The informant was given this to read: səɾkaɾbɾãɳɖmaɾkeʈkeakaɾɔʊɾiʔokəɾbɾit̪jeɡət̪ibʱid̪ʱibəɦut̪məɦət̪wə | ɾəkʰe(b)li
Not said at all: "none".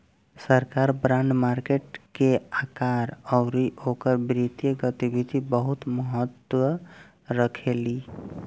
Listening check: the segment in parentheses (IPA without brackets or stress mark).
none